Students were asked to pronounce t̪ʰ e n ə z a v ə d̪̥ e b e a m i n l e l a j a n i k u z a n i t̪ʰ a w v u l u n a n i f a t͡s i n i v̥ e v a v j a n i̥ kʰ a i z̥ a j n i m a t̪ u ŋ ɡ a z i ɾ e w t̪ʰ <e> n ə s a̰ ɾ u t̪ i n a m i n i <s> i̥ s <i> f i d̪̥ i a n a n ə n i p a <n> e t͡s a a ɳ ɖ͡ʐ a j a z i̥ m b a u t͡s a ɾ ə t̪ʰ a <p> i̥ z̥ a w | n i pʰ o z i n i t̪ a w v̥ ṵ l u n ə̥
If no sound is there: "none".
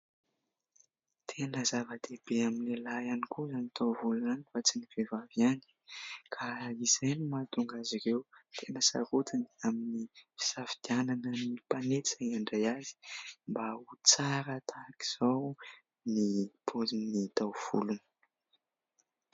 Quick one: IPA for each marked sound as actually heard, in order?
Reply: e, f, a, n, k

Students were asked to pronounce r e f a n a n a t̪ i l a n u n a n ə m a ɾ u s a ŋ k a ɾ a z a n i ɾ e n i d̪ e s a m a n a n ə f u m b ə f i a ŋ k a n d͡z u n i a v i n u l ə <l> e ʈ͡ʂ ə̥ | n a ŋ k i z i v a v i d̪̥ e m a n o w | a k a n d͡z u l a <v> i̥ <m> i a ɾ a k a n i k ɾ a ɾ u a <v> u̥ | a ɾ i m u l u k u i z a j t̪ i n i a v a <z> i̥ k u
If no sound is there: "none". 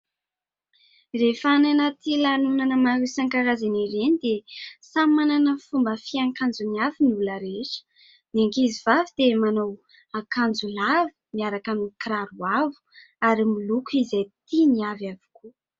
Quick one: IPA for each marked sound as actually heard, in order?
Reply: ɾ, v, m, v, v

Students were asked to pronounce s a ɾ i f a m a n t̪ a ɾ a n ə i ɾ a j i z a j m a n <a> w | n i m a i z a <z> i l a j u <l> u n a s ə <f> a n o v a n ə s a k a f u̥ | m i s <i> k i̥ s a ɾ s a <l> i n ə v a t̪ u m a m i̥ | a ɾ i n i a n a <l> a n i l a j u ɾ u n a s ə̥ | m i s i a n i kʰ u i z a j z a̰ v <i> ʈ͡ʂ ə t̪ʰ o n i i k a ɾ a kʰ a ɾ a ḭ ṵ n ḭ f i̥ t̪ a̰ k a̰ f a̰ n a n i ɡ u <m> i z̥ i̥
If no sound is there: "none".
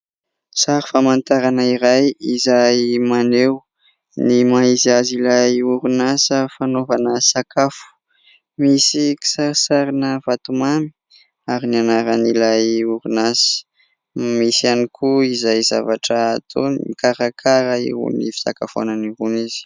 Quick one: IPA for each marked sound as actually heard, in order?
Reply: e, z, ɾ, f, i, ɾ, ɾ, a, n

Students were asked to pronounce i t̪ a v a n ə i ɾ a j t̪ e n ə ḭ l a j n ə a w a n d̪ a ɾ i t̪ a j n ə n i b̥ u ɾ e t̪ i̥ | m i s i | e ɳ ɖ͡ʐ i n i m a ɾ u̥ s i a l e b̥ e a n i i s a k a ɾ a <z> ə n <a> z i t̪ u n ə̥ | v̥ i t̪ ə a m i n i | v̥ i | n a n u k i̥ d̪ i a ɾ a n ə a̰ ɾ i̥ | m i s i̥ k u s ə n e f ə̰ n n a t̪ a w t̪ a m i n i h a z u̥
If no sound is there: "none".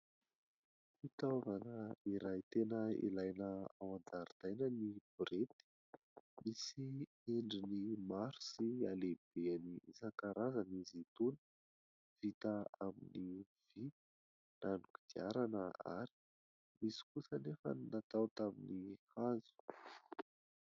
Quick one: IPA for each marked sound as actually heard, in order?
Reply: z, i

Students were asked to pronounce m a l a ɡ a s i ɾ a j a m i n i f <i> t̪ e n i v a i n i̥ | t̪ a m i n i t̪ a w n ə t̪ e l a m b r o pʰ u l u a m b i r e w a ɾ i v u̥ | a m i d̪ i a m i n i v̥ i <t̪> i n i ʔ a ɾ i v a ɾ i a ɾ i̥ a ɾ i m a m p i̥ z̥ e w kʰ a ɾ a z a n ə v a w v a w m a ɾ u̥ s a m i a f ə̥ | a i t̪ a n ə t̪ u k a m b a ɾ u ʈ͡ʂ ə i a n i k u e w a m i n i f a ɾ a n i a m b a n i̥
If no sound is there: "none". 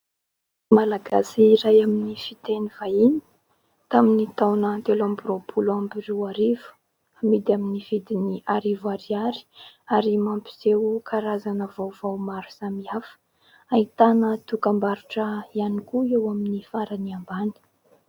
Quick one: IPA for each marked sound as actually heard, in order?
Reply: i, d̪

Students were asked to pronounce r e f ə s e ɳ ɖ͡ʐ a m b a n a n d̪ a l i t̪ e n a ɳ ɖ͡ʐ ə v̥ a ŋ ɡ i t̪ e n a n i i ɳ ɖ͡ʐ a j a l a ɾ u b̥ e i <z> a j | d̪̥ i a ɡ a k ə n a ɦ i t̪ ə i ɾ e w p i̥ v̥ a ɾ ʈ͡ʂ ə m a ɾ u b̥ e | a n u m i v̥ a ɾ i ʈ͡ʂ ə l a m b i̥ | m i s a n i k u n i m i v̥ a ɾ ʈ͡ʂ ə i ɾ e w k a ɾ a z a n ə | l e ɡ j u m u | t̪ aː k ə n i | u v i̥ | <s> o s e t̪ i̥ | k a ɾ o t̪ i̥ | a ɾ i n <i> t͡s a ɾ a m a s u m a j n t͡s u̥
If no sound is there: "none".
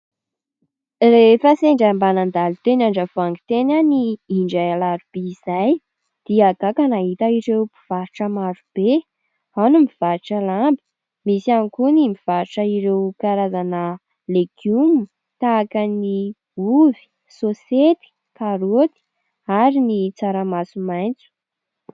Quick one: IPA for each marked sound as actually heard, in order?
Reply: z, s, i

